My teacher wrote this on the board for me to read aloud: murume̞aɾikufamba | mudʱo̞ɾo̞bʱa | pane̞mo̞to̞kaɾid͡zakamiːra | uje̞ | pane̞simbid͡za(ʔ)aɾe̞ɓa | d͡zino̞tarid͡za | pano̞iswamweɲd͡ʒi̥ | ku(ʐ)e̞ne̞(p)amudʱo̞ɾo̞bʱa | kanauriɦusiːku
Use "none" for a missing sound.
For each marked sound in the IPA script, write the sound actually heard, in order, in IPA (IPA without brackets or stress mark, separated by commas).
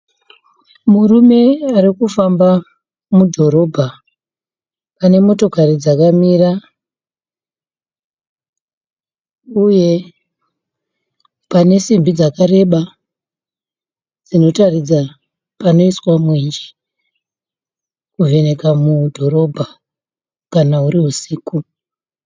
k, v, k